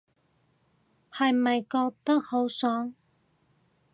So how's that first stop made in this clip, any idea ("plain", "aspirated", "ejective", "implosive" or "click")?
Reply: plain